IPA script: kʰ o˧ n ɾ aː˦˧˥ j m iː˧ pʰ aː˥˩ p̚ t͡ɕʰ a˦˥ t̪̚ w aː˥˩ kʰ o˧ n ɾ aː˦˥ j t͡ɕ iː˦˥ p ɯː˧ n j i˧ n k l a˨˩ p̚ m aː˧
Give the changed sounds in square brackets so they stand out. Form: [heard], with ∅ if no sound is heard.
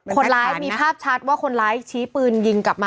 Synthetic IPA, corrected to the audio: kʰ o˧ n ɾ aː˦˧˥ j m iː˧ pʰ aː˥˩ p̚ t͡ɕʰ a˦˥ t̪̚ w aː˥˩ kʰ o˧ n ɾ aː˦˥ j [t͡ɕʰ] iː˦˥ p ɯː˧ n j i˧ [ŋ] k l a˨˩ p̚ m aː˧